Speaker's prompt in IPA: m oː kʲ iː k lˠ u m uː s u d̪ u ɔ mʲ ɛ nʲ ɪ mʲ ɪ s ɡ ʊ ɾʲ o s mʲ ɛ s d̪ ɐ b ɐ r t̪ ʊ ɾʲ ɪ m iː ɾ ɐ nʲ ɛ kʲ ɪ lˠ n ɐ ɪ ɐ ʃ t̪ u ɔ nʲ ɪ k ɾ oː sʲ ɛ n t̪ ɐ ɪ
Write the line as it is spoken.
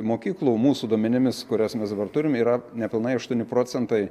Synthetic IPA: m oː kʲ iː k lˠ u m uː s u d̪ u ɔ mʲ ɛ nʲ ɪ mʲ ɪ s k ʊ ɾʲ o s mʲ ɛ s d̪ ɐ b ɐ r t̪ ʊ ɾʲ ɪ m iː ɾ ɐ nʲ ɛ pʲ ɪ lˠ n ɐ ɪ ɐ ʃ t̪ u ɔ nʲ ɪ p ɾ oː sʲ ɛ n t̪ ɐ ɪ